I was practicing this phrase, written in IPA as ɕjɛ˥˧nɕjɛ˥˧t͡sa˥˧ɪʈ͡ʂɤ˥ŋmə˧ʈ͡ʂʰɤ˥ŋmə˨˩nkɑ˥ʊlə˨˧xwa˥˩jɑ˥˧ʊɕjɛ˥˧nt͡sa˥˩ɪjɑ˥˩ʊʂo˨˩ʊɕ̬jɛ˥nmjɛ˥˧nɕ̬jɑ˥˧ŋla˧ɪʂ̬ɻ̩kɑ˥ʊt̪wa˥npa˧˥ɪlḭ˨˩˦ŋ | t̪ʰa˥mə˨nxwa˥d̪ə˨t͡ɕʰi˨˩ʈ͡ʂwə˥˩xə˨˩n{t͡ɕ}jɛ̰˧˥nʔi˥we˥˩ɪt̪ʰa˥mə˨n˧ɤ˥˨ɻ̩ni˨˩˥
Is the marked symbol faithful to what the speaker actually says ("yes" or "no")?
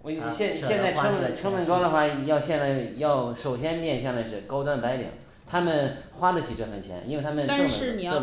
no